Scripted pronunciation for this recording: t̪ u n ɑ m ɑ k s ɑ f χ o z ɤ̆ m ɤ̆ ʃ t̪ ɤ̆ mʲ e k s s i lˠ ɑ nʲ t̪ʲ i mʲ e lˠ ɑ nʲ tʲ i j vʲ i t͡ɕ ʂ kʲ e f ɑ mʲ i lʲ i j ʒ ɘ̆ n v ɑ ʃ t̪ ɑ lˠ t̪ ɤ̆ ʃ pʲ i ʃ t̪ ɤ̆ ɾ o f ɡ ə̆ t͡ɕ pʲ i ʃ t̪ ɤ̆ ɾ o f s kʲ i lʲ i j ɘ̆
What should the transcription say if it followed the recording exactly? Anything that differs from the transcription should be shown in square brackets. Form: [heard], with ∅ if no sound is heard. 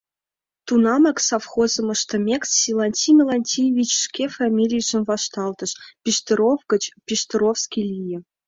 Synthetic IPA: t̪ u n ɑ m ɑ k s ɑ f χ o z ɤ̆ m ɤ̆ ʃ t̪ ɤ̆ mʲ e k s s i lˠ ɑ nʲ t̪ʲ i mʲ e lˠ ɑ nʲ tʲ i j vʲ i t͡ɕ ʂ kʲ e f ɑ mʲ i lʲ i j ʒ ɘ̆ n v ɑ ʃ t̪ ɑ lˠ t̪ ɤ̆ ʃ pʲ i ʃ t̪ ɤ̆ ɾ o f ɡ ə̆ t͡ɕ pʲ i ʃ t̪ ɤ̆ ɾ o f s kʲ i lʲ i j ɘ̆